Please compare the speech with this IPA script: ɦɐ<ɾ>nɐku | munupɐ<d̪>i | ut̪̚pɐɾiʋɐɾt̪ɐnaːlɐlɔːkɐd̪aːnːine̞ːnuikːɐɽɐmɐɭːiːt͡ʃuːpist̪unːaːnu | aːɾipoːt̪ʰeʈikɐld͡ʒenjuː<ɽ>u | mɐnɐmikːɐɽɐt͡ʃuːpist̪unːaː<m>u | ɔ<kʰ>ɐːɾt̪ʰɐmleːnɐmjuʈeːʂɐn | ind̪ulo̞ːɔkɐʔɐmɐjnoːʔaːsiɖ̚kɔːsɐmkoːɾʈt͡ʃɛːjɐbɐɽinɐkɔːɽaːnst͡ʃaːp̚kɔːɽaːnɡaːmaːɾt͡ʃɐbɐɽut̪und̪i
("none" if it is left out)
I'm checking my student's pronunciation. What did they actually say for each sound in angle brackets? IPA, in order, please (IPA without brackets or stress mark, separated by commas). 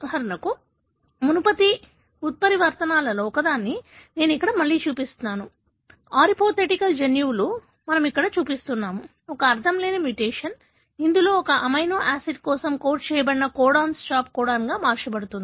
ɾ, t̪, l, m, k